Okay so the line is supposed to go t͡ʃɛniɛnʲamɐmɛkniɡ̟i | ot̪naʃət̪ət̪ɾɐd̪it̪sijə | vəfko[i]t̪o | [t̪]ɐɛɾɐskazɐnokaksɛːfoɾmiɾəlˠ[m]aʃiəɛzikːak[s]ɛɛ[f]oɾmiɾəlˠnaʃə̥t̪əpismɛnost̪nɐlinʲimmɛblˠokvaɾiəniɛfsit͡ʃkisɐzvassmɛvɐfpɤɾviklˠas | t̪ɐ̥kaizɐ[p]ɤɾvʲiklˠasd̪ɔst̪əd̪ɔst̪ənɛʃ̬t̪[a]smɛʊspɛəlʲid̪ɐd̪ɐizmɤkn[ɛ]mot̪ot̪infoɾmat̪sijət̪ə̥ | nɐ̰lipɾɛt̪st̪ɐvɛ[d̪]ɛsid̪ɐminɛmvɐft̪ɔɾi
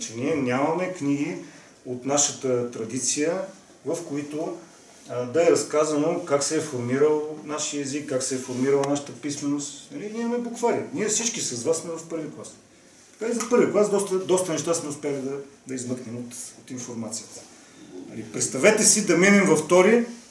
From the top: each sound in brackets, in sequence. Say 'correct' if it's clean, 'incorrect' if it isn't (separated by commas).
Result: correct, incorrect, incorrect, correct, correct, correct, correct, correct, incorrect